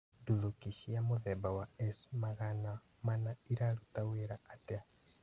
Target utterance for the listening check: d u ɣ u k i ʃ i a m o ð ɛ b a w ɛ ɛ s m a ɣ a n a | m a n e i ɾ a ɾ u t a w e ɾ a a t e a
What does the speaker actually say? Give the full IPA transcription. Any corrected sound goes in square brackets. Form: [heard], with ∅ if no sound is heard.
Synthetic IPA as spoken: d u [ð] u k i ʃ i a m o ð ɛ b a w [a] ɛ s m a ɣ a n a | m a n [a] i ɾ a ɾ u t a w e ɾ a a t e a